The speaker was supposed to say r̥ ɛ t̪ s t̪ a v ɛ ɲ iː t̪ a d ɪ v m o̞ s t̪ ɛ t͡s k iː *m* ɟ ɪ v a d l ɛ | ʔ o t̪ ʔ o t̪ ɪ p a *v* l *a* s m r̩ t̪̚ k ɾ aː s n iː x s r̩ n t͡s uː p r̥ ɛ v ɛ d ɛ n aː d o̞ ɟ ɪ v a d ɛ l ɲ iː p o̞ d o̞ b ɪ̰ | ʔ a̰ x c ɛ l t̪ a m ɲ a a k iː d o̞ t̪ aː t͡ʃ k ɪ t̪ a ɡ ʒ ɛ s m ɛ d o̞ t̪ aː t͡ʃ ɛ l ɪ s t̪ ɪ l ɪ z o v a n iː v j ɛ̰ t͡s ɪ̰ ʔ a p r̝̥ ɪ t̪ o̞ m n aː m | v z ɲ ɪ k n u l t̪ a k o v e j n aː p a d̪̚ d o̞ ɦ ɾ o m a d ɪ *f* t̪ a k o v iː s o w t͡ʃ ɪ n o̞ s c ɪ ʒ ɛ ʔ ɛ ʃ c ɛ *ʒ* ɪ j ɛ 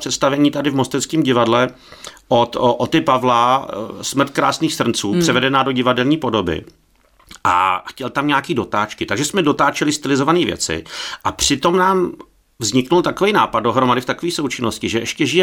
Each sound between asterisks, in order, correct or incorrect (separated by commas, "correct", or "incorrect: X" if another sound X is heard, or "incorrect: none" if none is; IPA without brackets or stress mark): correct, correct, correct, correct, correct